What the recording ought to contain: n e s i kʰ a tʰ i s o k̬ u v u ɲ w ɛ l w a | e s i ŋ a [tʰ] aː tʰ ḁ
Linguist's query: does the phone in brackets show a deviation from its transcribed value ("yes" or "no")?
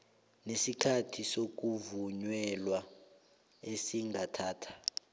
no